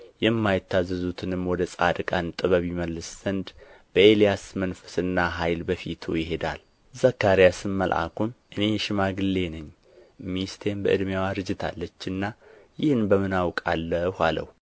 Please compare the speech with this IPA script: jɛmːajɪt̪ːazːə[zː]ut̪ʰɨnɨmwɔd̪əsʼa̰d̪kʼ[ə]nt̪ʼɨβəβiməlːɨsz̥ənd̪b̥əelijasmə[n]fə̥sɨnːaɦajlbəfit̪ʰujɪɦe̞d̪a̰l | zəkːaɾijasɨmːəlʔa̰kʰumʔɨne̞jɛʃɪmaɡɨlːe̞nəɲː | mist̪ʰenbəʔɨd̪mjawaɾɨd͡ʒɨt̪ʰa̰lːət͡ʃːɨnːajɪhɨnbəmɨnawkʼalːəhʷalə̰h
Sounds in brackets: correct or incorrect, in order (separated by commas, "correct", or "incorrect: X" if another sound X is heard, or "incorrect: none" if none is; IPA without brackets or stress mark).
incorrect: z, incorrect: a, correct